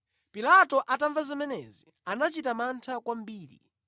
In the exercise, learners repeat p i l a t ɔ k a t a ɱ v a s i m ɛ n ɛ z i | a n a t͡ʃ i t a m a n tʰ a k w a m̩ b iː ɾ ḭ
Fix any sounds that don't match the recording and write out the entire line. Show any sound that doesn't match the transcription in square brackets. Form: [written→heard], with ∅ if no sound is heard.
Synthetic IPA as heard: p i l a t ɔ [k→ʔ] a t a ɱ v a [s→z] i m ɛ n ɛ z i | a n a t͡ʃ i t a m a n tʰ a k w a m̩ b iː ɾ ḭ